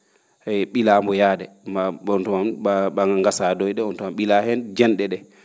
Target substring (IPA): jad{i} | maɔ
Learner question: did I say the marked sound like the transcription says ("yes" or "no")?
no